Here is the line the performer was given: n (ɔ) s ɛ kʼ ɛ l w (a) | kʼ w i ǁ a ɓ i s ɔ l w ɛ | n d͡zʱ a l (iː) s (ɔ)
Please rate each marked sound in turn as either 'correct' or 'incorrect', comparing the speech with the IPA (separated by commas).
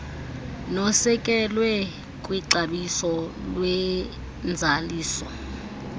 correct, incorrect, correct, correct